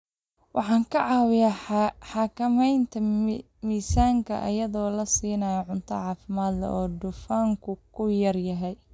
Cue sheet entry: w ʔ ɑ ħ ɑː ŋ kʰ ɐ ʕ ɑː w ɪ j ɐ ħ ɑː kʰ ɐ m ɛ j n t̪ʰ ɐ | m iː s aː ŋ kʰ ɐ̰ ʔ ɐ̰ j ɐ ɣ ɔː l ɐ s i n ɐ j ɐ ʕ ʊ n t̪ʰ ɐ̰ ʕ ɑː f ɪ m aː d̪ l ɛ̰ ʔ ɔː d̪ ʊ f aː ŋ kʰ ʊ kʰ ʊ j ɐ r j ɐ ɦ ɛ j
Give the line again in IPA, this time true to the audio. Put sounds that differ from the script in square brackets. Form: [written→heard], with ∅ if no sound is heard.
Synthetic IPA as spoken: w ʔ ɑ ħ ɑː ŋ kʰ ɐ ʕ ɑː w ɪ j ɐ ħ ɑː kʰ ɐ m ɛ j n t̪ʰ ɐ | m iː s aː ŋ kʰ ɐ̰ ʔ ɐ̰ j ɐ [ɣ→ð] ɔː l ɐ s [i→iː] n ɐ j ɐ ʕ ʊ n t̪ʰ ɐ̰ ʕ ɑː f ɪ m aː d̪ l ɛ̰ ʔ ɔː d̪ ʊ f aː ŋ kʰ ʊ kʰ ʊ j ɐ r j ɐ ɦ ɛ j